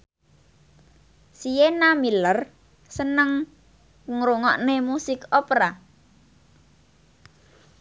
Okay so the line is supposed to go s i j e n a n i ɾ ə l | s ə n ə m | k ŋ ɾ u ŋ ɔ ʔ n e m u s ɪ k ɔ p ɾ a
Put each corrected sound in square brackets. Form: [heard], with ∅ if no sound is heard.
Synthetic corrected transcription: s i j e n a [m] i [l] ə [r] | s ə n ə [ŋ] | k ŋ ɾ u ŋ ɔ ʔ n e m u s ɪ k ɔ p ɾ a